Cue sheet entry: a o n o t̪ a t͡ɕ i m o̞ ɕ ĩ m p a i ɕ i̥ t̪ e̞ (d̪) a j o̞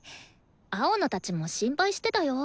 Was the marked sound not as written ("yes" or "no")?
yes